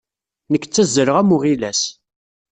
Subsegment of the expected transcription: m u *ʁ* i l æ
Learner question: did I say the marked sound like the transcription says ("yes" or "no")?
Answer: yes